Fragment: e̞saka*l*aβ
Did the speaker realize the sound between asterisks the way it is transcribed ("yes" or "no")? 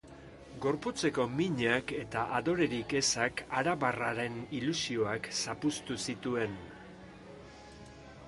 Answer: no